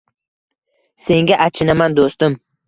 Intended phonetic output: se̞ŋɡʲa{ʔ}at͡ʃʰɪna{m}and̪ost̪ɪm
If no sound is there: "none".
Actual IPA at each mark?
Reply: ʔ, m

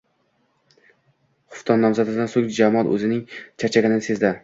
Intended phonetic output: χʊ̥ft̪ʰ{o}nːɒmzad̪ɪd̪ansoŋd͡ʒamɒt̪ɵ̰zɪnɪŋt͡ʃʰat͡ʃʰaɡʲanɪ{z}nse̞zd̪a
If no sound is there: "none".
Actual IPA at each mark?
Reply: ɒ, none

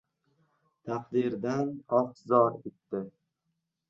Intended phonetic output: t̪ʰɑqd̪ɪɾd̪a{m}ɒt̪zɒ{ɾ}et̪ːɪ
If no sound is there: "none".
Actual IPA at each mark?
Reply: n, ɾ

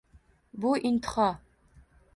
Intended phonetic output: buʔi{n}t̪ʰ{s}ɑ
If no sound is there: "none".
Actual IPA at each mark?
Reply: n, χ

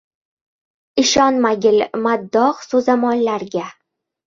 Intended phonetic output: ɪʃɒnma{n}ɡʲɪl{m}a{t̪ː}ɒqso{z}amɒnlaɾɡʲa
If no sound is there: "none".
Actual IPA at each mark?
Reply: none, m, d̪ː, z

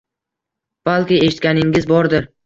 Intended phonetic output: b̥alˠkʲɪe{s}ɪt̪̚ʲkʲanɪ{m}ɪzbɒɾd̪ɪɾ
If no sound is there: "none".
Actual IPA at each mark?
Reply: ʃ, ŋ

